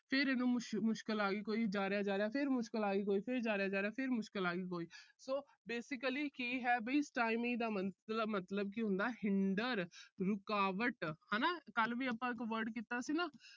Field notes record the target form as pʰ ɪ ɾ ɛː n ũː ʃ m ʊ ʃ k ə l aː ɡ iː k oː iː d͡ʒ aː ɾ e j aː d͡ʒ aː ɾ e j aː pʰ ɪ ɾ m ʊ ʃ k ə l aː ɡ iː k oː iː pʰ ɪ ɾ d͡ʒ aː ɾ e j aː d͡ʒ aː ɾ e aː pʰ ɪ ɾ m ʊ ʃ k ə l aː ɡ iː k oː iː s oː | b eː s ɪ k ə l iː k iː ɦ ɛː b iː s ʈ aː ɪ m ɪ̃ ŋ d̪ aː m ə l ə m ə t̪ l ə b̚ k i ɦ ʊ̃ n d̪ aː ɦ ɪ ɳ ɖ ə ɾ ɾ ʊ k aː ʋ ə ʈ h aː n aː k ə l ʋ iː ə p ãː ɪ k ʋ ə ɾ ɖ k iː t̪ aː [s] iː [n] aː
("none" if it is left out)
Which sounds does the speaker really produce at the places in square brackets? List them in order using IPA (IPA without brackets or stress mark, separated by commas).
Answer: s, n